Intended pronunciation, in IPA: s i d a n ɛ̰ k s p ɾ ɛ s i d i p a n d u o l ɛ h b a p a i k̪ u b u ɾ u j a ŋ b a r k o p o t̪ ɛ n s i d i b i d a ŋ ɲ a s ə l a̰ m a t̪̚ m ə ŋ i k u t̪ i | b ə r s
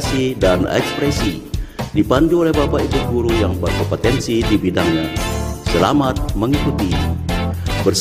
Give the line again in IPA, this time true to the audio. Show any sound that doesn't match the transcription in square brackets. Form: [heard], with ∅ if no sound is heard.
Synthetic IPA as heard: s i d a n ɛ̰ k s p ɾ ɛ s i d i p a n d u o l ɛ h b a p a i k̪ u [ɡ] u ɾ u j a ŋ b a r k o p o t̪ ɛ n s i d i b i d a ŋ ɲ a s ə l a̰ m a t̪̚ m ə ŋ i k u t̪ i | b ə r s